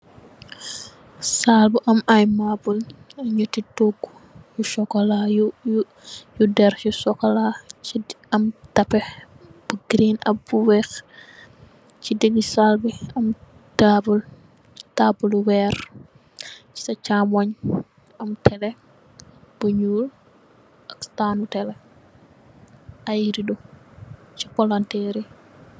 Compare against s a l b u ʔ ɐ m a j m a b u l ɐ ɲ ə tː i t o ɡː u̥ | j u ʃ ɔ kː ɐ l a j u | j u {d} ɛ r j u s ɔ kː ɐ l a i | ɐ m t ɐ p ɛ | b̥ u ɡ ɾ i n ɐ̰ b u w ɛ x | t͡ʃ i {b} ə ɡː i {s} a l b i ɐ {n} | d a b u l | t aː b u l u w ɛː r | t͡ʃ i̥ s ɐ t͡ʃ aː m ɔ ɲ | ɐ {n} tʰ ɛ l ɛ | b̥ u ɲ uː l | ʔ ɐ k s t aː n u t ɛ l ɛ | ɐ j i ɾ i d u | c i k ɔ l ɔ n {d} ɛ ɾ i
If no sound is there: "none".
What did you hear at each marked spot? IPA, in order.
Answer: d, d, s, m, m, t

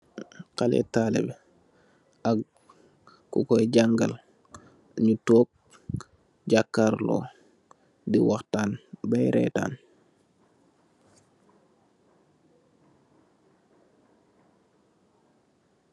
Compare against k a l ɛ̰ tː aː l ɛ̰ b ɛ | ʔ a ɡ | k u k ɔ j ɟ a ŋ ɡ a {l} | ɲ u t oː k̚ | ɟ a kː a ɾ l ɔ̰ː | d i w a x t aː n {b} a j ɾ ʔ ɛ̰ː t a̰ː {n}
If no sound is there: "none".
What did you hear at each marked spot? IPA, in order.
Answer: l, b, n

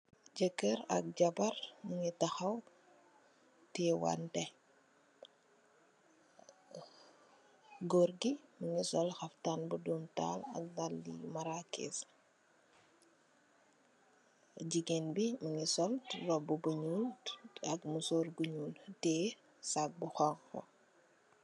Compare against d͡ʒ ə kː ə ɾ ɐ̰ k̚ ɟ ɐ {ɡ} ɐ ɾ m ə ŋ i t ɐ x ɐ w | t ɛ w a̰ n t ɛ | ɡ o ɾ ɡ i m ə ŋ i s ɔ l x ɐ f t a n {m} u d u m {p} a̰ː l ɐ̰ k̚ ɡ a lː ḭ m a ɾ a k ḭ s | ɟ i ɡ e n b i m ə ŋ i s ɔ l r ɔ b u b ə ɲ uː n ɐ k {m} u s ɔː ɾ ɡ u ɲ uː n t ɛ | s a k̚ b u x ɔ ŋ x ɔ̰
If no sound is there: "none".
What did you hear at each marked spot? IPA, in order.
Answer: b, b, t, m

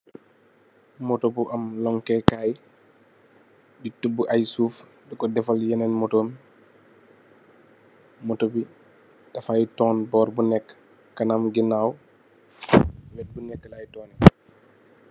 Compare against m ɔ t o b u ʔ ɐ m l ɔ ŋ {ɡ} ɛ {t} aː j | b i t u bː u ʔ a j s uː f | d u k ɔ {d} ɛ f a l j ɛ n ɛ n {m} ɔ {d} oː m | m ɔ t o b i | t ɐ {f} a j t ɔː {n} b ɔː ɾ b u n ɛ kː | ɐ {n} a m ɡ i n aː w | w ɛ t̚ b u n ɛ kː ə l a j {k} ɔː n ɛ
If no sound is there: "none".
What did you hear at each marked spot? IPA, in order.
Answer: k, k, d, m, t, f, n, n, t

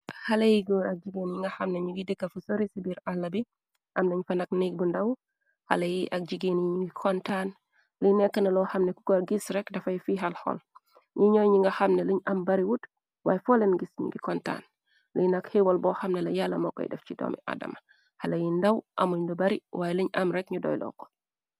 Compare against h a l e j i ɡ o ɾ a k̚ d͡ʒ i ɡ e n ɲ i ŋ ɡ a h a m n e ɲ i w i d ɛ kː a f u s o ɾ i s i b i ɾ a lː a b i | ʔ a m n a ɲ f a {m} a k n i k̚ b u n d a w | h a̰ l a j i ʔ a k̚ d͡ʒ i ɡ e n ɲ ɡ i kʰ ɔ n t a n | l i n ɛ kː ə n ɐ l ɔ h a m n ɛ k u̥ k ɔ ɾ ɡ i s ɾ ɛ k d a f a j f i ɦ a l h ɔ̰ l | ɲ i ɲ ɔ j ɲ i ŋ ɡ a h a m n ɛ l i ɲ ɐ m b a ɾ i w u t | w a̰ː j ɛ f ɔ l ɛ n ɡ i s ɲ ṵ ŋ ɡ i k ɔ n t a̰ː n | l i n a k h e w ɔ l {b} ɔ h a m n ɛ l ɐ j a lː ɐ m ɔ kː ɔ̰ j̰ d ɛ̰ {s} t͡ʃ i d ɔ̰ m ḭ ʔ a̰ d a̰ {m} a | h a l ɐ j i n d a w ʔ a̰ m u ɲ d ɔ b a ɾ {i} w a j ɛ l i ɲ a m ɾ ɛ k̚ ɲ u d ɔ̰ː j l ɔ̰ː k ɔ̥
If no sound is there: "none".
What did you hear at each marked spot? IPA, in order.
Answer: n, b, f, m, i

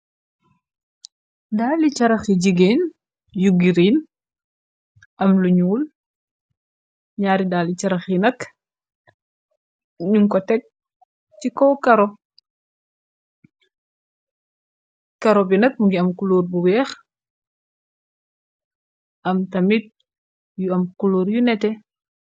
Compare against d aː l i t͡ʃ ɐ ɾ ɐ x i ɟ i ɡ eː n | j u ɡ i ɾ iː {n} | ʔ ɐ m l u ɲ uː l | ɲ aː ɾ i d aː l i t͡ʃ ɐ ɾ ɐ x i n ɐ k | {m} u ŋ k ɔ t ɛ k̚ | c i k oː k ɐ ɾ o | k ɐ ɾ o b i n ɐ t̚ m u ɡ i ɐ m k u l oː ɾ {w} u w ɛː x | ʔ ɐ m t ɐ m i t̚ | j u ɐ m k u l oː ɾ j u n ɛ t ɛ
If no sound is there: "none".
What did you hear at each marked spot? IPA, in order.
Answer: n, ɲ, b

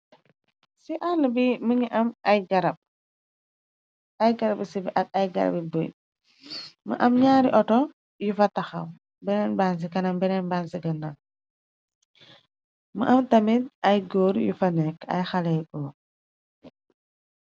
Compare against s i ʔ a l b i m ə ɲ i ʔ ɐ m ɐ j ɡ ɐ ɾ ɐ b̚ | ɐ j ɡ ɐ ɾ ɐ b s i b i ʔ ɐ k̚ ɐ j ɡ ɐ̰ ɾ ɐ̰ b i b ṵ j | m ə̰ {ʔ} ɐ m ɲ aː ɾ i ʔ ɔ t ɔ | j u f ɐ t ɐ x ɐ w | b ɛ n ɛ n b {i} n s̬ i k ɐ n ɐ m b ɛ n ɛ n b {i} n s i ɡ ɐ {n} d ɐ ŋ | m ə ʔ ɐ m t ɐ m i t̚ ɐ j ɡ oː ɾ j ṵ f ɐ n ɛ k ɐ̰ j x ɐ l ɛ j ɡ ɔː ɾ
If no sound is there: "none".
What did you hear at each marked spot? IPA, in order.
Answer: ʔ, a, a, n

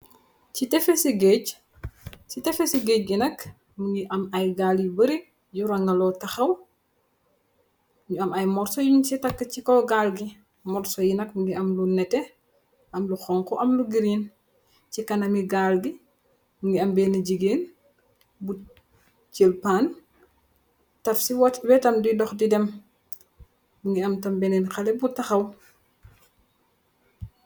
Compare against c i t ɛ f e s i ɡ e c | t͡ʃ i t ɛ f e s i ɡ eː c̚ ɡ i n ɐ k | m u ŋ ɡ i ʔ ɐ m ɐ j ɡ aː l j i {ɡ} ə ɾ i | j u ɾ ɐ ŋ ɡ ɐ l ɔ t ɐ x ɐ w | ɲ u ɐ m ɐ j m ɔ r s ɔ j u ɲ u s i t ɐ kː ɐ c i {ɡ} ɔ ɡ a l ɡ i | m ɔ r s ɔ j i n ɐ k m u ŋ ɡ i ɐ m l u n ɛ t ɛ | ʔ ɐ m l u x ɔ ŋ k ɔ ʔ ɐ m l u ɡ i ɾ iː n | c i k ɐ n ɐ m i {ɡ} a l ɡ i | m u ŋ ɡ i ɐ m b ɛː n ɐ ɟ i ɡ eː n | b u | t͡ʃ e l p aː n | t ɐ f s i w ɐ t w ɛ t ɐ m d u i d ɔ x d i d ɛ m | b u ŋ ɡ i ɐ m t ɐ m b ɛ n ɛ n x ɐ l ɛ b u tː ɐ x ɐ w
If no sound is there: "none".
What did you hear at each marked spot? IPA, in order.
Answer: b, k, ɡ

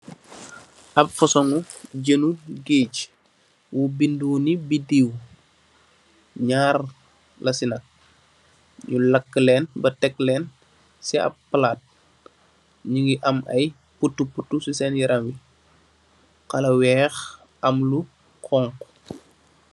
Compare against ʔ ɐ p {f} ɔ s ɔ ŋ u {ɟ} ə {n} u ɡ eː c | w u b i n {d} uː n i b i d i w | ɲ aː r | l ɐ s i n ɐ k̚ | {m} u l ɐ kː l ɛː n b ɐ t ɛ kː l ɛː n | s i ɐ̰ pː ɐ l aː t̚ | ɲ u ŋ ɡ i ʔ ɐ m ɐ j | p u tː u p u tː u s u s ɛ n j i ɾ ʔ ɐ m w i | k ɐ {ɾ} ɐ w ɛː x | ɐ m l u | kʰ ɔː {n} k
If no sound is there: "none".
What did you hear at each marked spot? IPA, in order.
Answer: f, ɟ, n, d, ɲ, l, ŋ

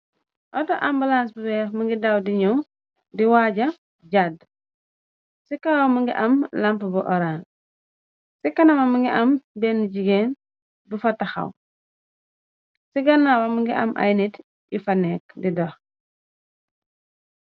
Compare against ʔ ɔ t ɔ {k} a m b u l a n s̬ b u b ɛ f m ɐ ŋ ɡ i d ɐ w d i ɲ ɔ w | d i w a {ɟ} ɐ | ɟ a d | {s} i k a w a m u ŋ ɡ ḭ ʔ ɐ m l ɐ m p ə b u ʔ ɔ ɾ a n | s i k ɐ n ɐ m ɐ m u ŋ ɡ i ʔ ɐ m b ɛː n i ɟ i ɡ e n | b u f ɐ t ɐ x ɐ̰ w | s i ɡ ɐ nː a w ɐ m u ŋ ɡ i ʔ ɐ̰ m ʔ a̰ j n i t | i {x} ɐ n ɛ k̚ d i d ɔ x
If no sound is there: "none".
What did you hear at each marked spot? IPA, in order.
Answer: ʔ, ɟ, s, f

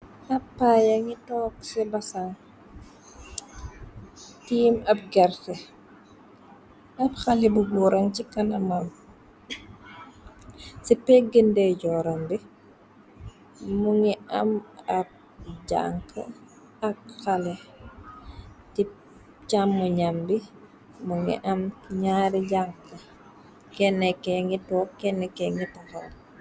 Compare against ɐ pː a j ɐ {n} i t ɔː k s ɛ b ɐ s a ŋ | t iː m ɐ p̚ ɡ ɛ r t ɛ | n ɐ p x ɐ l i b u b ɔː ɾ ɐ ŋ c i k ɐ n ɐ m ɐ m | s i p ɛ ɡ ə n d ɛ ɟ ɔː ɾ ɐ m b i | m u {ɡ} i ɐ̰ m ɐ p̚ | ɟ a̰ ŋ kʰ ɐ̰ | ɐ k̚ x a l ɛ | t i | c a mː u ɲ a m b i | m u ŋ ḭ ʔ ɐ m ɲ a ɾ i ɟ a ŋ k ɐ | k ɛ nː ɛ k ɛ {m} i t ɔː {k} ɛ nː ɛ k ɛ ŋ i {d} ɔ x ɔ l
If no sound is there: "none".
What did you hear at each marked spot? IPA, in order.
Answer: ŋ, ŋ, ŋ, k, t

